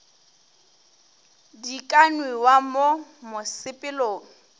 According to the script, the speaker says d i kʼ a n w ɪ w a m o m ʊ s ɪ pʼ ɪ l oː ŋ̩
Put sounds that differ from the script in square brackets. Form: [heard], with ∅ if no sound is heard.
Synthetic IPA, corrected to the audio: d i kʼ a n w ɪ w a m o m ʊ s ɪ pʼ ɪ l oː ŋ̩